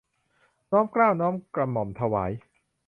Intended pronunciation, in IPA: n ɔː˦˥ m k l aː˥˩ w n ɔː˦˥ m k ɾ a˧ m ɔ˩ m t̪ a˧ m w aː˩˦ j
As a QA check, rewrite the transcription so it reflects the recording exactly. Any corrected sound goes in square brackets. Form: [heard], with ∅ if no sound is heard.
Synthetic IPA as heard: n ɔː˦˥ m k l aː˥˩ w n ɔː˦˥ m k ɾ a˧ m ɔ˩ m [t̪ʰ] a˧ [∅] w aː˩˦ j